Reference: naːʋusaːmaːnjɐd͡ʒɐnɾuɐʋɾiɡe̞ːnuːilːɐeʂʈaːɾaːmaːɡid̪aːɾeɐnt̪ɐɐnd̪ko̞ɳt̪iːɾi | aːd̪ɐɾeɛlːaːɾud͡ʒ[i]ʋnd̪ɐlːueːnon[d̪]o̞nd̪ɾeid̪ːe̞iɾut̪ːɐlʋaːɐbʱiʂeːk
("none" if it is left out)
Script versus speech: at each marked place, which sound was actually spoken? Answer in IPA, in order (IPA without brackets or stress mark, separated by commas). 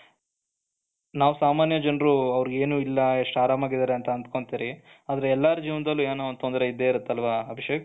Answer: iː, t̪